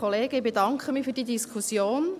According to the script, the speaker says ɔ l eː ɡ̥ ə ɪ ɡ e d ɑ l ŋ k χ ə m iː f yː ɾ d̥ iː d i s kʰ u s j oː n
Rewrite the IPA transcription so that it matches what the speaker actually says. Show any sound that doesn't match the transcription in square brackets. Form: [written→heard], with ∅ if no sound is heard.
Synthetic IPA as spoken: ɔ l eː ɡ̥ ə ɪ [ɡ→b] e d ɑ [l→∅] ŋ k χ ə m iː f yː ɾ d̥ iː d i s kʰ u s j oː n

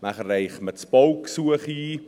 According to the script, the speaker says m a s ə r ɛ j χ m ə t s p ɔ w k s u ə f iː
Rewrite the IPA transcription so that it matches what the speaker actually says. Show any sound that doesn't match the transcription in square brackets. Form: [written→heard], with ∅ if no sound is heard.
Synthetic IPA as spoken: m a [s→χ] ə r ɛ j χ m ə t s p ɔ w k s u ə [f→χ] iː

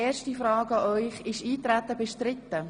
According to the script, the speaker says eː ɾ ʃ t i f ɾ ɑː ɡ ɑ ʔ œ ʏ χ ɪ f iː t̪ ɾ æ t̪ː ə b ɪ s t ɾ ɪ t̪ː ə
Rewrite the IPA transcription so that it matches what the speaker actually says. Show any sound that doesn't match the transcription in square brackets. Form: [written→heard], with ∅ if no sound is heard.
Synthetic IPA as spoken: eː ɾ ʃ t i f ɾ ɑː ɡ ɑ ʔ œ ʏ χ ɪ [f→ʃ] iː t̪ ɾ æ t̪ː ə b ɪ [s→ʃ] t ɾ ɪ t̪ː ə

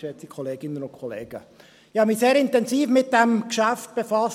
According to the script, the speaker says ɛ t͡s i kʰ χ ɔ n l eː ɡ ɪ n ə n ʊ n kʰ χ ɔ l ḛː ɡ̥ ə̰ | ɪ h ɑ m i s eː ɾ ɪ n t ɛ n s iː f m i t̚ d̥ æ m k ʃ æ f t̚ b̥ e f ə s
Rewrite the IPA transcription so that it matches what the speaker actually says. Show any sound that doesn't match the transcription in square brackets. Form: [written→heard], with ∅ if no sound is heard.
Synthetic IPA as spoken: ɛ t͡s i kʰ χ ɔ [n→∅] l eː ɡ ɪ n ə n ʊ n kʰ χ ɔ l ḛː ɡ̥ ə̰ | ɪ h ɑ m i s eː ɾ ɪ n t ɛ n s iː f m [i→ɪ] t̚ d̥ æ m k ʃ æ f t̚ b̥ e f [ə→ɑ] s

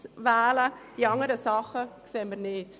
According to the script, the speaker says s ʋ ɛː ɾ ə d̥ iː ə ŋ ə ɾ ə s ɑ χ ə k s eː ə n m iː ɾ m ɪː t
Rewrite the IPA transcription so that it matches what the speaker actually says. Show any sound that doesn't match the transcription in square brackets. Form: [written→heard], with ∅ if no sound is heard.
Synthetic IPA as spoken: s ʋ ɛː [ɾ→l] ə d̥ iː [ə→ɑ] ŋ ə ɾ ə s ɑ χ ə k s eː ə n m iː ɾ [m→n] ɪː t

